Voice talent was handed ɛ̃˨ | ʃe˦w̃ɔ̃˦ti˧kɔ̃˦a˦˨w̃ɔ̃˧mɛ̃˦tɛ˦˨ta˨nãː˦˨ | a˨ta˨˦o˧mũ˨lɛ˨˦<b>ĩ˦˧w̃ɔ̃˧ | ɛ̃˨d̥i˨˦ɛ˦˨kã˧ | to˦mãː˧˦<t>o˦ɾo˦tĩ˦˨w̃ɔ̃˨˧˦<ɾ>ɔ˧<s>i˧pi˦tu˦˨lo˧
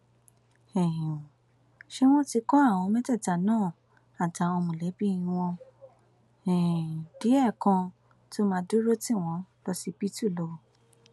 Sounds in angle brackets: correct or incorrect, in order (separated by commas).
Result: correct, incorrect, incorrect, correct